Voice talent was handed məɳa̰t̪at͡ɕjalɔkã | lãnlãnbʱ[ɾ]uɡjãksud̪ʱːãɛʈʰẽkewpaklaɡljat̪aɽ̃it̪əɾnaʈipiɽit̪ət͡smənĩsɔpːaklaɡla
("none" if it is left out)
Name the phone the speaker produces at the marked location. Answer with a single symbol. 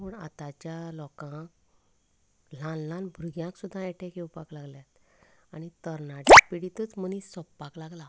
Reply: ɾ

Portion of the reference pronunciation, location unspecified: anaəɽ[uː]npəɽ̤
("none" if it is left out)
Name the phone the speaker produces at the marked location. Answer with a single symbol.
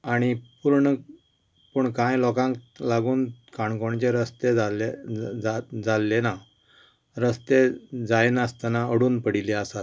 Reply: uː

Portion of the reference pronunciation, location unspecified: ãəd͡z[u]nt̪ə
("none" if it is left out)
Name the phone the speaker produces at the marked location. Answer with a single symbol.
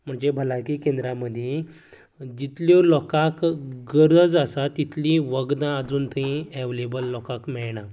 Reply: uː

